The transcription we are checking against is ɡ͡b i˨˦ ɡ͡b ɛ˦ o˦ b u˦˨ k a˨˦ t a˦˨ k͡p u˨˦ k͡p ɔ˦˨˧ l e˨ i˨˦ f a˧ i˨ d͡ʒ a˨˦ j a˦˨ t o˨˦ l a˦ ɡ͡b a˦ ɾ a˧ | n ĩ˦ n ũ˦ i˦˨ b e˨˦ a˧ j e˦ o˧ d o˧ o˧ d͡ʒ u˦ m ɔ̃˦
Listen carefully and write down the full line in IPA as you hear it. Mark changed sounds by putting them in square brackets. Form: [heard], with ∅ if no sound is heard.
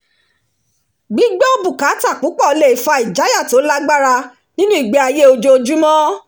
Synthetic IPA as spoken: ɡ͡b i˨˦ ɡ͡b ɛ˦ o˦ b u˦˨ k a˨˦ t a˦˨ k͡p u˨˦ k͡p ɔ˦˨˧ l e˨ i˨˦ f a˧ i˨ d͡ʒ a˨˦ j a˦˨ t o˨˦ l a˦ ɡ͡b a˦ ɾ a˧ | n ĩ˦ n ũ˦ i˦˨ [ɡ͡b] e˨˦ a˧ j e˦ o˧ [d͡ʒ] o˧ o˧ d͡ʒ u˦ m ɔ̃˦